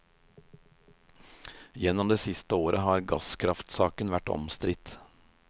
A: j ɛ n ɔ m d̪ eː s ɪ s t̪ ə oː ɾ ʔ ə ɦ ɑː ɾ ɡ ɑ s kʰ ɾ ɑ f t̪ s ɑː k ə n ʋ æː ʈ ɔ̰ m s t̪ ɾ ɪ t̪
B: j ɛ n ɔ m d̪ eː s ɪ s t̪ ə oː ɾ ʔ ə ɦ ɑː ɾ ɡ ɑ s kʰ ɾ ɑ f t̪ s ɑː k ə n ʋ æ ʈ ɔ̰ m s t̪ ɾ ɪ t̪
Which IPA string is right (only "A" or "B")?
B